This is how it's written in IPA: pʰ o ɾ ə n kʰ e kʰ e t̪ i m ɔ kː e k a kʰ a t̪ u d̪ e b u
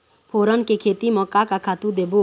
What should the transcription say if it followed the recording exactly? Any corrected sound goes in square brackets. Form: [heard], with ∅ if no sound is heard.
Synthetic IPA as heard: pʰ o ɾ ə n [k] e kʰ e t̪ i m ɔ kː [a] k a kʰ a t̪ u d̪ e b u

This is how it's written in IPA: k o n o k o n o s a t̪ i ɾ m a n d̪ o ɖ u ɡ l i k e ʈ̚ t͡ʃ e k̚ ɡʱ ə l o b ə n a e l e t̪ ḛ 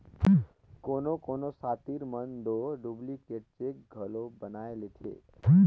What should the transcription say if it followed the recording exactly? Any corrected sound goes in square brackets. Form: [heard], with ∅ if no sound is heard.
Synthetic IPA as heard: k o n o k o n o s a t̪ i ɾ m [ə] n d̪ o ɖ u [b] l i k e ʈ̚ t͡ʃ e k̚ ɡʱ ə l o b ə n a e l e [t̪ʰ] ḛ

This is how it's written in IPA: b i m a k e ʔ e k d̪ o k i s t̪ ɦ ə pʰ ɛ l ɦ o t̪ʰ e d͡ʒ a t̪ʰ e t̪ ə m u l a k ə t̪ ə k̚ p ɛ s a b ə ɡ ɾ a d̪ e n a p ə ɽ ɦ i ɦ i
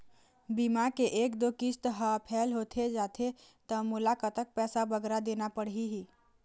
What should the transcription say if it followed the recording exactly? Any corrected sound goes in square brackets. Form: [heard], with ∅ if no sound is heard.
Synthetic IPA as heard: b i m a k e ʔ e k d̪ o k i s t̪ ɦ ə pʰ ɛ l ɦ o t̪ʰ e d͡ʒ a t̪ʰ e t̪ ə m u l a k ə t̪ ə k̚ p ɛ s a b ə ɡ ɾ a d̪ e n a p ə ɽ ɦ i ɦ i

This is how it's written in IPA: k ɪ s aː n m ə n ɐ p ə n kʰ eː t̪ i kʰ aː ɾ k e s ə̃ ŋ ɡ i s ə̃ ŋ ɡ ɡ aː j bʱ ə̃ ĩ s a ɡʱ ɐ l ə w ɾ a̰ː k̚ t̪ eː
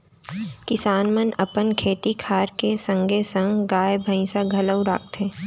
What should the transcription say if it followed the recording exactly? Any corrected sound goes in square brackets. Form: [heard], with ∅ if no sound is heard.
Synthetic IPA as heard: k ɪ s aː n m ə n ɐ p ə n kʰ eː t̪ i kʰ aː ɾ k e s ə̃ ŋ ɡ [e] s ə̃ ŋ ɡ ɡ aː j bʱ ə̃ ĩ s a ɡʱ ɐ l ə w ɾ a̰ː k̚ t̪ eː

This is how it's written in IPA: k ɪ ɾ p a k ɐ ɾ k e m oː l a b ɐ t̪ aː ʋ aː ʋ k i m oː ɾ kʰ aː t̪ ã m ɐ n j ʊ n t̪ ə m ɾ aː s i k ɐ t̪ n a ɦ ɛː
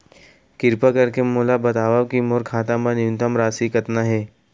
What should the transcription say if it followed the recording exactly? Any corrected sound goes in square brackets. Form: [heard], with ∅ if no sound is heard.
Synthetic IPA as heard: k ɪ ɾ p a k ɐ ɾ k e m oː l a b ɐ t̪ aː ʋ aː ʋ k i m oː ɾ kʰ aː t̪ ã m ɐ n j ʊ n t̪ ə m ɾ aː s i k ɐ t̪ n a ɦ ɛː

